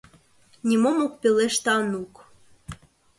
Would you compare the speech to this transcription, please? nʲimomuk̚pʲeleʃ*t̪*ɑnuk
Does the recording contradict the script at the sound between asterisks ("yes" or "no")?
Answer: no